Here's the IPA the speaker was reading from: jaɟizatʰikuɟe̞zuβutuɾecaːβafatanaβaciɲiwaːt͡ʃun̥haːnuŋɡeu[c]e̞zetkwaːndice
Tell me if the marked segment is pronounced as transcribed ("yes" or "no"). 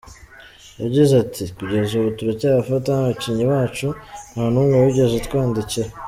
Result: no